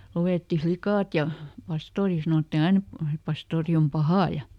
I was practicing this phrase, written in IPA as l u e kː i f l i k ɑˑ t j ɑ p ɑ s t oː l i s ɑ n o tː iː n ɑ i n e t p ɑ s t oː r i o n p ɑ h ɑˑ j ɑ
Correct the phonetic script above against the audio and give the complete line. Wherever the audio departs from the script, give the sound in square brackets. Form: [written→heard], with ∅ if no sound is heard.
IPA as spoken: l u e [kː→tː] i f l i k ɑˑ t j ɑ p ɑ s t oː [l→r] i s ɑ n o tː [iː→i] n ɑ i n e t p ɑ s t oː r i o [n→m] p ɑ h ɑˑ j ɑ